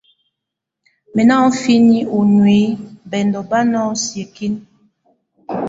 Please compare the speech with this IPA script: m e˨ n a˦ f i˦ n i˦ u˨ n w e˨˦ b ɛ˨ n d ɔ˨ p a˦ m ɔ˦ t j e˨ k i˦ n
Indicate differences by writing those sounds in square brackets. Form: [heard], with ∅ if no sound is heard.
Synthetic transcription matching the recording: m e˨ n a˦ f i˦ n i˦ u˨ n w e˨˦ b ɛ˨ n d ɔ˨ [b] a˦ [n] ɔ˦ [s] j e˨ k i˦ n